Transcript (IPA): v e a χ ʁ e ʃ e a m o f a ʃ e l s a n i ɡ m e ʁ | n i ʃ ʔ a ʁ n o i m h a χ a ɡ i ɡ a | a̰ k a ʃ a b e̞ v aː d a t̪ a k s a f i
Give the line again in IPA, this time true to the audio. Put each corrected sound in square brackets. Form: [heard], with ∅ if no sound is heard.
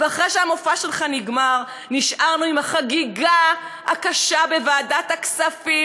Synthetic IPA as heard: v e a χ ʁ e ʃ e a m o f a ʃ e l [χ] a n i ɡ m [a] ʁ | n i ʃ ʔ a ʁ n [u] i m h a χ a ɡ i ɡ a | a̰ k a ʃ a b e̞ v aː d a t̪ a k s a f i